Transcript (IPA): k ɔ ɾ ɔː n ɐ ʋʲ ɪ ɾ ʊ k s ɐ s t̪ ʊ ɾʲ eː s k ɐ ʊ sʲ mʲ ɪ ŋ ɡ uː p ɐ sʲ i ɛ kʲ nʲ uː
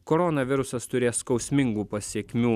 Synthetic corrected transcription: k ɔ ɾ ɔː n ɐ ʋʲ ɪ ɾ ʊ s ɐ s t̪ ʊ ɾʲ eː s k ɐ ʊ sʲ mʲ ɪ ŋ ɡ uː p ɐ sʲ i ɛ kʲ mʲ uː